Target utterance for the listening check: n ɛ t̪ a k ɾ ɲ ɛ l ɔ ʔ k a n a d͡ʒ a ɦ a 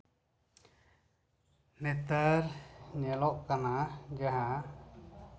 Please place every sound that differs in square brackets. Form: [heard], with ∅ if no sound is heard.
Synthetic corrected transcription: n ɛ t̪ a [∅] ɾ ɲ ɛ l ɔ ʔ k a n a d͡ʒ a ɦ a